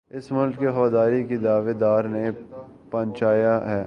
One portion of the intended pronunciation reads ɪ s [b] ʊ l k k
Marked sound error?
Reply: yes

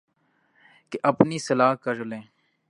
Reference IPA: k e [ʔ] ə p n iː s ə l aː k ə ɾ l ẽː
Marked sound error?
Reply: no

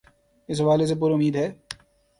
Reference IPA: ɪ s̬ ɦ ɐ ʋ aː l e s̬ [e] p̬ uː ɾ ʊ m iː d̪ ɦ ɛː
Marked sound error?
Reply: no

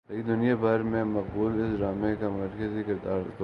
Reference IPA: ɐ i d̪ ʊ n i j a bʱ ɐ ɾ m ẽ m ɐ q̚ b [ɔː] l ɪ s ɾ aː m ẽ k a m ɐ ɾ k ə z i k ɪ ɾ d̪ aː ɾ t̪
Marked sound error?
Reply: yes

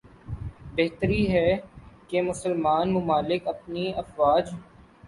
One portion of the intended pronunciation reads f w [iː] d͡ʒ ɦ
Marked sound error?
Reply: yes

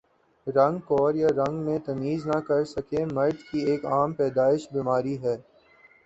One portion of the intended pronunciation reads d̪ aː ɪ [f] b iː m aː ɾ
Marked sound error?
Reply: yes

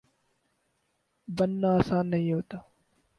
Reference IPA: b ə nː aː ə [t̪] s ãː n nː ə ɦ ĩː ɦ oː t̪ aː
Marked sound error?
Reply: yes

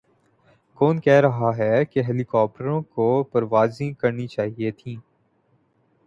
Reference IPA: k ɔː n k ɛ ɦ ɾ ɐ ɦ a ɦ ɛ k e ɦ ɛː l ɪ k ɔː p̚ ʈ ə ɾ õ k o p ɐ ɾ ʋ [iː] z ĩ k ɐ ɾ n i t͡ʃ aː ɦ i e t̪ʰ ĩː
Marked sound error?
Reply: yes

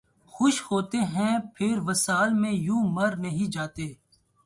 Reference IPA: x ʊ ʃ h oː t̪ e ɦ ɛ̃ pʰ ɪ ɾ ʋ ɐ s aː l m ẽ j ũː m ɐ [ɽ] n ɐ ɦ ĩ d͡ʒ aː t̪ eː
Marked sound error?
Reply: yes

